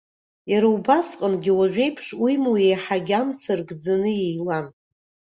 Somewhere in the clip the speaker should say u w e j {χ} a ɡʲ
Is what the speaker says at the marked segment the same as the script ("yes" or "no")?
no